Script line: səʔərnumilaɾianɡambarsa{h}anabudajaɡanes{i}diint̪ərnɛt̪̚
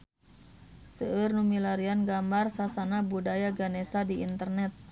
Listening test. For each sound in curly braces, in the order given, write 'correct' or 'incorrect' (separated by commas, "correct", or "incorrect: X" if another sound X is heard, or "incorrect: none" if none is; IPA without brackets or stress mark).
incorrect: s, incorrect: a